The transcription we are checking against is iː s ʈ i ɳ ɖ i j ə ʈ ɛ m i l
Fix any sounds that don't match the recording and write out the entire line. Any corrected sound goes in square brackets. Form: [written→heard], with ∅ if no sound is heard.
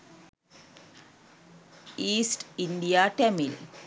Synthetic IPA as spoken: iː s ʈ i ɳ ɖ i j [ə→a] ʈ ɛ m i l

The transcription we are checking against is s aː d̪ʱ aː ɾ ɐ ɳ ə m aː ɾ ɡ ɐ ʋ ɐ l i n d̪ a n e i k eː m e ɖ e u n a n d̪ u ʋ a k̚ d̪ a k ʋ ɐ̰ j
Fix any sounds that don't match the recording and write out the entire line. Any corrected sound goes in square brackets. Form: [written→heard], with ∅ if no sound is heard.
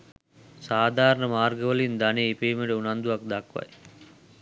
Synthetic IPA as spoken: s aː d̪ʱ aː ɾ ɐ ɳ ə m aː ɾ ɡ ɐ ʋ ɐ l i n d̪ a n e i [k→p] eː m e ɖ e u n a n d̪ u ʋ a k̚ d̪ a k ʋ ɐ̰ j

